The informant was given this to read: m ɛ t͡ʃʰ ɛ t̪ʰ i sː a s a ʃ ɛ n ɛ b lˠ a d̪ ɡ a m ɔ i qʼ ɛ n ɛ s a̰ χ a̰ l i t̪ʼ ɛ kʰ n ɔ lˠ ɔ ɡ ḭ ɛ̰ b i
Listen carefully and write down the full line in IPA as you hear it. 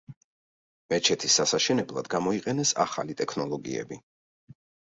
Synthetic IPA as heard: m ɛ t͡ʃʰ ɛ t̪ʰ i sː a s a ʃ ɛ n ɛ b lˠ a d̪ ɡ a m ɔ i qʼ ɛ n ɛ s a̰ χ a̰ l i t̪ʼ ɛ kʰ n ɔ lˠ ɔ ɡ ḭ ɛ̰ b i

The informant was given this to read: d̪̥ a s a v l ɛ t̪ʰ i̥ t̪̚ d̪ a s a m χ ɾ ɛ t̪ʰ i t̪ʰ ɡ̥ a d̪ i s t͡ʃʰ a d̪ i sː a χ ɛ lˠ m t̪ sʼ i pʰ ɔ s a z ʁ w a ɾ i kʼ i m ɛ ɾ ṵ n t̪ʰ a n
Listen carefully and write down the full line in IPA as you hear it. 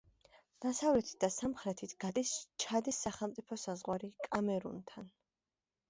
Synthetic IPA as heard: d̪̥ a s a v l ɛ t̪ʰ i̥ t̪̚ d̪ a s a m χ ɾ ɛ t̪ʰ i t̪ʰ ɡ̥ a d̪ i s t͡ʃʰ a d̪ i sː a χ ɛ lˠ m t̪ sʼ i pʰ ɔ s a z ʁ w a ɾ i kʼ a m ɛ ɾ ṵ n t̪ʰ a n

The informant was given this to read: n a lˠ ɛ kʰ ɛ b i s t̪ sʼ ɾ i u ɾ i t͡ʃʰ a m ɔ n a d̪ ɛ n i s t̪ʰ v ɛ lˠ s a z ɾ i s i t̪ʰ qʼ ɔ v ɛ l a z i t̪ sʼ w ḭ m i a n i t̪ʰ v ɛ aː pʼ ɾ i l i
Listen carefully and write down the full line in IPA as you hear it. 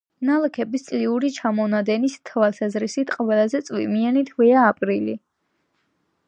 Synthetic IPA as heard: n a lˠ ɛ kʰ ɛ b i s t̪ sʼ l i u ɾ i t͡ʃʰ a m ɔ n a d̪ ɛ n i s t̪ʰ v a lˠ s a z ɾ i s i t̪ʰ qʼ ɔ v ɛ l a z ɛ t̪ sʼ w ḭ m i a n i t̪ʰ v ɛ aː pʼ ɾ i l i

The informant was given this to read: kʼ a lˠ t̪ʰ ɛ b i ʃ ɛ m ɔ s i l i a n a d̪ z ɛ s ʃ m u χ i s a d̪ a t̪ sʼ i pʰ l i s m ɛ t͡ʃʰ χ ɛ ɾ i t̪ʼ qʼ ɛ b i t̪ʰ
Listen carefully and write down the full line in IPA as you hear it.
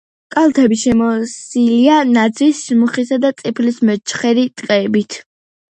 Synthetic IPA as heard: kʼ a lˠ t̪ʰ ɛ b i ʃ ɛ m ɔ s i l i a n a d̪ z i s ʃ m u χ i s a d̪ a t̪ sʼ i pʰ l i s m ɛ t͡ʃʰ χ ɛ ɾ i t̪ʼ qʼ ɛ b i t̪ʰ

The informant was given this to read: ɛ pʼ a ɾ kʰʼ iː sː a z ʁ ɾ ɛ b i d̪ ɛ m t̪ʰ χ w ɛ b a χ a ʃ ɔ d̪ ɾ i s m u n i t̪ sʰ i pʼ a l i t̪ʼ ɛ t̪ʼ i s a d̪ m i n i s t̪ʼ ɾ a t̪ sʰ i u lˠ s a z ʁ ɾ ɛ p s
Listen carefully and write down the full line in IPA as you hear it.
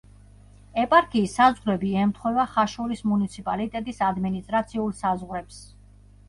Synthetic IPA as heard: ɛ pʼ a ɾ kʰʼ iː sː a z ʁ ɾ ɛ b i ɛ m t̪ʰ χ w ɛ v a χ a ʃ ɔ ɾ i s m u n i t̪ sʰ i pʼ a l i t̪ʼ ɛ t̪ʼ i s a d̪ m i n i s t̪ʼ ɾ a t̪ sʰ i u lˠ s a z ʁ ɾ ɛ p s

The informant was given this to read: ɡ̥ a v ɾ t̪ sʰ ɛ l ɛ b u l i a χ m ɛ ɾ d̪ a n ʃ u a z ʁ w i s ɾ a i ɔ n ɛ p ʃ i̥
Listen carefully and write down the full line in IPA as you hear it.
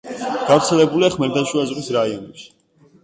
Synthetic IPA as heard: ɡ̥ a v ɾ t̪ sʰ ɛ l ɛ b u l i a χ m ɛ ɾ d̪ a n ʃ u a z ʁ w i s ɾ a i ɔ n ɛ p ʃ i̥

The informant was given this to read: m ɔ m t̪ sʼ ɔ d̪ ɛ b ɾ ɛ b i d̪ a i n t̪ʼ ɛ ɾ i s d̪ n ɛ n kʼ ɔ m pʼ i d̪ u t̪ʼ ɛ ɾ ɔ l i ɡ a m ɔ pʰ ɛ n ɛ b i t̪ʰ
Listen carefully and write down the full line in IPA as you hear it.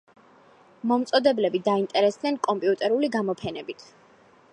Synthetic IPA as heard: m ɔ m t̪ sʼ ɔ d̪ ɛ b l ɛ b i d̪ a i n t̪ʼ ɛ ɾ ɛ s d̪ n ɛ n kʼ ɔ m pʼ i u t̪ʼ ɛ ɾ u l i ɡ a m ɔ pʰ ɛ n ɛ b i t̪ʰ

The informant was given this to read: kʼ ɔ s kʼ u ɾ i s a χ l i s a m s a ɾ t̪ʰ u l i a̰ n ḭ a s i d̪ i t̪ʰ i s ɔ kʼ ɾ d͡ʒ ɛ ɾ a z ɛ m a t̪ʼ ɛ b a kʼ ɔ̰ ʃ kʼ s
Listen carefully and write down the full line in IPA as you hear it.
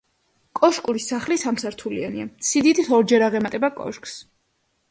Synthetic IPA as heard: kʼ ɔ ʃ kʼ u ɾ i s a χ l i s a m s a ɾ t̪ʰ u l i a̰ n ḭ a s i d̪ i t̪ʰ i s ɔ ɾ d͡ʒ ɛ ɾ a ʁ ɛ m a t̪ʼ ɛ b a kʼ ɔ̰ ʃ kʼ s

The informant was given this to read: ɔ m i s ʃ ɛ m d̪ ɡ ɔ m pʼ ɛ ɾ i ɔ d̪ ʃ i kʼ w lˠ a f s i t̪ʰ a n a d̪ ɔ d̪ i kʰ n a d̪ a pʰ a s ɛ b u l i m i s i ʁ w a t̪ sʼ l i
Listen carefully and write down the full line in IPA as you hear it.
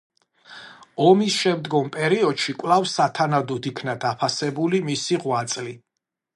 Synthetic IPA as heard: ɔ m i s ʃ ɛ m d̪ ɡ ɔ m pʼ ɛ ɾ i ɔ d̪ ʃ i kʼ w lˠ a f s a t̪ʰ a n a d̪ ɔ d̪ i kʰ n a d̪ a pʰ a s ɛ b u l i m i s i ʁ w a t̪ sʼ l i

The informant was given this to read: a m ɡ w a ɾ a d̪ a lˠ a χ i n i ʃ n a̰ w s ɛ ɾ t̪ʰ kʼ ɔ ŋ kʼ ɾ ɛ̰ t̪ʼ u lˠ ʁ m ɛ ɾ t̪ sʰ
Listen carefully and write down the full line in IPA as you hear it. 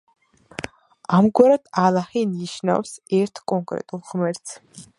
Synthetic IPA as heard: a m ɡ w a ɾ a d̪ a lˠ a χ i n i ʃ n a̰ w s ɛ ɾ t̪ʰ kʼ ɔ ŋ kʼ ɾ ɛ̰ t̪ʼ u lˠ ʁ m ɛ ɾ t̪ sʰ

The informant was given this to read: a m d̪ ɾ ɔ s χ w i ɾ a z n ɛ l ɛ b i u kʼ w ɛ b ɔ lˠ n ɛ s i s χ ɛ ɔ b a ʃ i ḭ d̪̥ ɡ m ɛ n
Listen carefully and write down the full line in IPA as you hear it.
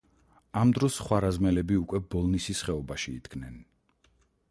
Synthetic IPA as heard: a m d̪ ɾ ɔ s χ w a ɾ a z m ɛ l ɛ b i u kʼ w ɛ b ɔ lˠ n i s i s χ ɛ ɔ b a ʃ i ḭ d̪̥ ɡ n ɛ n

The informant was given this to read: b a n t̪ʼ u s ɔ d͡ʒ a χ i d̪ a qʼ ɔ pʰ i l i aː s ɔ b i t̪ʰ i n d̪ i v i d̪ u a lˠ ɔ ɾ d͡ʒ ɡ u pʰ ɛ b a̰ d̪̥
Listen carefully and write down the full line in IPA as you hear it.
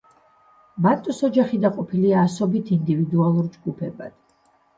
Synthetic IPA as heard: b a n t̪ʼ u s ɔ d͡ʒ a χ i d̪ a qʼ ɔ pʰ i l i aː s ɔ b i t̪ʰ i n d̪ i v i d̪ u a lˠ u ɾ d͡ʒ ɡ u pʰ ɛ b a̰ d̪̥

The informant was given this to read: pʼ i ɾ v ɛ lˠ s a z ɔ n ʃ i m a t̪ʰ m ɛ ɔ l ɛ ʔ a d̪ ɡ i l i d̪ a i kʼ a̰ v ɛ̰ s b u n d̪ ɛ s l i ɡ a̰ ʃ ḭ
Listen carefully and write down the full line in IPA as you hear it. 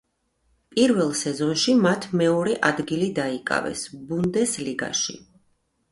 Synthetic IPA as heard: pʼ i ɾ v ɛ lˠ s ɛ z ɔ n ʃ i m a t̪ʰ m ɛ ɔ ɾ ɛ ʔ a d̪ ɡ i l i d̪ a i kʼ a̰ v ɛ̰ s b u n d̪ ɛ s l i ɡ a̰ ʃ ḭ

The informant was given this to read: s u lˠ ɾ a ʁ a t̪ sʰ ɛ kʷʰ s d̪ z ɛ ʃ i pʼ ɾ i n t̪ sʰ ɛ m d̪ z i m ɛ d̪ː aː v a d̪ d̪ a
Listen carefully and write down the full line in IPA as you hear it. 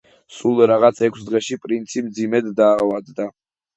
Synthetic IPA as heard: s u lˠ ɾ a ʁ a t̪ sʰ ɛ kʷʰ s d̪ ʁ ɛ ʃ i pʼ ɾ i n t̪ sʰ i m d̪ z i m ɛ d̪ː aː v a d̪ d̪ a

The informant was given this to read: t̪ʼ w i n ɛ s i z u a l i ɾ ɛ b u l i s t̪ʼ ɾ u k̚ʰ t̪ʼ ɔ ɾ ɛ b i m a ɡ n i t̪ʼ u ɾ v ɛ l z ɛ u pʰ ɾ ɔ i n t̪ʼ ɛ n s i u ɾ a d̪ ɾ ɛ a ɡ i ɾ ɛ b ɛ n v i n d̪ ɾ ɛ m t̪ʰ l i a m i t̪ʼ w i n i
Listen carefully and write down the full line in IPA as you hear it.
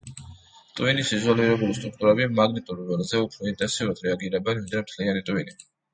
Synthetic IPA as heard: t̪ʼ w i n i s i z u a l i ɾ ɛ b u l i s t̪ʼ ɾ u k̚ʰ t̪ʼ u ɾ ɛ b i m a ɡ n i t̪ʼ u ɾ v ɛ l z ɛ u pʰ ɾ ɔ i n t̪ʼ ɛ n s i u ɾ a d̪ ɾ ɛ a ɡ i ɾ ɛ b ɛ n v i n d̪ ɾ ɛ m t̪ʰ l i a n i t̪ʼ w i n i

